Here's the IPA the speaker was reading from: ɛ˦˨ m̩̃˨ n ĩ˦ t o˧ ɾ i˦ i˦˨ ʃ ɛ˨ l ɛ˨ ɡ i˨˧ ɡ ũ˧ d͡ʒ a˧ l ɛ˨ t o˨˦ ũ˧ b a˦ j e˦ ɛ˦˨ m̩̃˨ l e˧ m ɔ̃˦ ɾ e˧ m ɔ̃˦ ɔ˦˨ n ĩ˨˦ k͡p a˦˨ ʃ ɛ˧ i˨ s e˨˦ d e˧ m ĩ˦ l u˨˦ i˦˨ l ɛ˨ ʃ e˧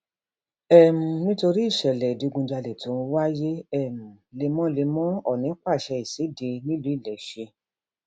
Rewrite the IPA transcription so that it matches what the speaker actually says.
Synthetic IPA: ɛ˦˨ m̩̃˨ n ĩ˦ t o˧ ɾ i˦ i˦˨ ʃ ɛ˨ l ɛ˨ d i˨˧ ɡ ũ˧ d͡ʒ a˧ l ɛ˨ t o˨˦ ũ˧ w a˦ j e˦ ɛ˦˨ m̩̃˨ l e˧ m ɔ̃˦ l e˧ m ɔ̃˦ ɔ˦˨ n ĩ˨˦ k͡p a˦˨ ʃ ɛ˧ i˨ s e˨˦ d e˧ n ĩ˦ l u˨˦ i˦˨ l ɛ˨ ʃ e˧